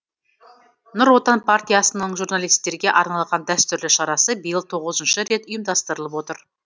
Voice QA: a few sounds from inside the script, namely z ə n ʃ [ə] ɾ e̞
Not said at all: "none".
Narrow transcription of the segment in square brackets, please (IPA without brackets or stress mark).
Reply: ə